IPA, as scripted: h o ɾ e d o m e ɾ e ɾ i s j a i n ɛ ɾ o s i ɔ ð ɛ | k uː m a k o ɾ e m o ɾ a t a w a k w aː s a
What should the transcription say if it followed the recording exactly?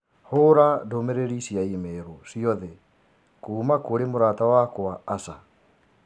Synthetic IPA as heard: h o ɾ a d o m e ɾ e ɾ i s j a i m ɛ ɾ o s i ɔ ð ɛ | k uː m a k o ɾ e m o ɾ a t a w a k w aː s a